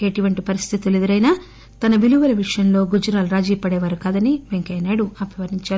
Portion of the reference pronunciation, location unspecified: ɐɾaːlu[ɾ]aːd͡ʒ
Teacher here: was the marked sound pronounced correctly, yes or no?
yes